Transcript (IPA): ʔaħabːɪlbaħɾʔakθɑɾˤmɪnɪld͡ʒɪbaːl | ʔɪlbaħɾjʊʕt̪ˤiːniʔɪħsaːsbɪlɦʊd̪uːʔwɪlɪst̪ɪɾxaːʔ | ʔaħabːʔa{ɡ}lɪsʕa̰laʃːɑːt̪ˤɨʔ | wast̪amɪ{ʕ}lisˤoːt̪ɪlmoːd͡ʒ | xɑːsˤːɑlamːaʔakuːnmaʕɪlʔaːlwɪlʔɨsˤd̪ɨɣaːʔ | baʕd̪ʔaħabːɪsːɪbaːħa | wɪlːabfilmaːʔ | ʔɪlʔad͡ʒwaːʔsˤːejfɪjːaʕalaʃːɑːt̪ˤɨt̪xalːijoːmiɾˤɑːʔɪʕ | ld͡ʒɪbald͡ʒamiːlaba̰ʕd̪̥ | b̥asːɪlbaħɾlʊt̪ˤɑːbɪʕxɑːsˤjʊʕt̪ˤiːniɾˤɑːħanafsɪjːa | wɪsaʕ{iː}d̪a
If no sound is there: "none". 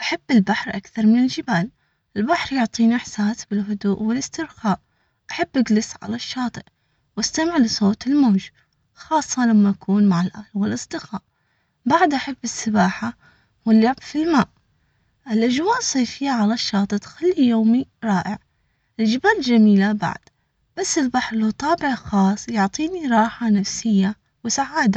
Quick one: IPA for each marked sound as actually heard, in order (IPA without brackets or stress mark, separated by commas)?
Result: ɡ, ʕ, aː